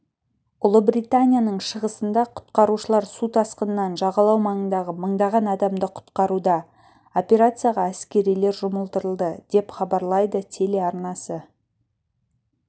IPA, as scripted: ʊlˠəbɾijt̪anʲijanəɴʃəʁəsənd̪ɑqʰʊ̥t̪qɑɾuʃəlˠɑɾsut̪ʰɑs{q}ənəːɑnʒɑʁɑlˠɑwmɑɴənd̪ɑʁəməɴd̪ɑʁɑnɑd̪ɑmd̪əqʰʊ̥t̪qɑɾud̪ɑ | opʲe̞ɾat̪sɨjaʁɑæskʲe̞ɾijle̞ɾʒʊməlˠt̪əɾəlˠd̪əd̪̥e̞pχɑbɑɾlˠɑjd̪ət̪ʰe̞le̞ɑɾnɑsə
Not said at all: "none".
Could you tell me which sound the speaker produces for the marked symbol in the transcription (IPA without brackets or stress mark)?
q